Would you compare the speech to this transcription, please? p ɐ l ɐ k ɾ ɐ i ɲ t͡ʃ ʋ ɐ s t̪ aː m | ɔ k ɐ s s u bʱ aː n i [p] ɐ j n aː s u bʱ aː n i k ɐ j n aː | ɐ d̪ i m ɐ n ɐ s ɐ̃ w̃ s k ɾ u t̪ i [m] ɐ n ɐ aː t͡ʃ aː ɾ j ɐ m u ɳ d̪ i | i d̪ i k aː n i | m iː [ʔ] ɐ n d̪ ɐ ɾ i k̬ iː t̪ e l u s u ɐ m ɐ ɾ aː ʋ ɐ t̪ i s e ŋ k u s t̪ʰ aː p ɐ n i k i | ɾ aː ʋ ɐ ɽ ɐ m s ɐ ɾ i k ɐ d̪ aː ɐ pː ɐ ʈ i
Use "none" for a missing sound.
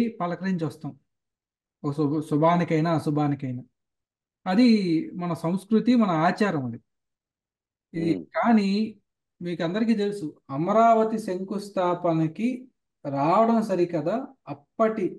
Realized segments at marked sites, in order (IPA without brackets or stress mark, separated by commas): k, m, k